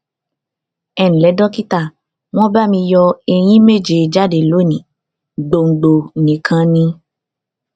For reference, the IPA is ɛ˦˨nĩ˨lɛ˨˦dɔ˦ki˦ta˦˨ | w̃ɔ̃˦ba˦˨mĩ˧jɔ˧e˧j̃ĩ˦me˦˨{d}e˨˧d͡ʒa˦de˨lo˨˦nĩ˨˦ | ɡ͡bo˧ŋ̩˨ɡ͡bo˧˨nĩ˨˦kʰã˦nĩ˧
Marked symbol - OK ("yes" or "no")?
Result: no